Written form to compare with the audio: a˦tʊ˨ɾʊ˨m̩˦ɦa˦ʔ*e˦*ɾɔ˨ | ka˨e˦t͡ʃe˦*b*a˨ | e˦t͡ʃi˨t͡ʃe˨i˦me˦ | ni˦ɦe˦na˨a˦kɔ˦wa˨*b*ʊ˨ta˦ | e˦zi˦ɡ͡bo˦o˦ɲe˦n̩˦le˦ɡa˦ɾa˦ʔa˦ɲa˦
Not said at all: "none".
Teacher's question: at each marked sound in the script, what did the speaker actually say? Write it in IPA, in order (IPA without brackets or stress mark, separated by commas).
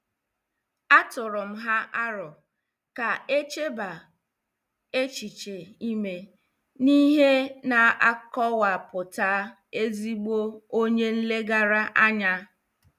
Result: a˦, b, p